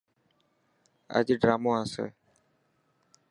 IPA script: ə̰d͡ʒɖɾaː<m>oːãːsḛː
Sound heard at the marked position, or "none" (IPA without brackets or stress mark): m